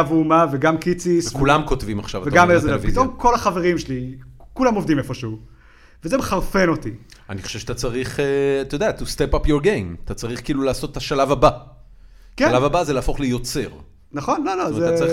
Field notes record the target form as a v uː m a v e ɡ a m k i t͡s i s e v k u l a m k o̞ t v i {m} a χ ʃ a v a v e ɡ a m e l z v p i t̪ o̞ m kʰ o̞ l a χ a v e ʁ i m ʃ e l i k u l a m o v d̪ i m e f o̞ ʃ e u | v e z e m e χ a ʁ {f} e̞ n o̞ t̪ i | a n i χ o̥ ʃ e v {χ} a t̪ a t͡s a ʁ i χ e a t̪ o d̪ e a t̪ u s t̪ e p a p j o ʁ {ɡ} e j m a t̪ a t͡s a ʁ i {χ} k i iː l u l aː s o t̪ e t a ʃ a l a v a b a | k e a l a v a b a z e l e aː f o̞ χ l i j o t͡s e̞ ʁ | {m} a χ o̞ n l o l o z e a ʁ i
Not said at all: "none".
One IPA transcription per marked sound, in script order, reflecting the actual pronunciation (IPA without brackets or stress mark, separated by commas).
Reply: m, f, ʃ, ɡ, χ, n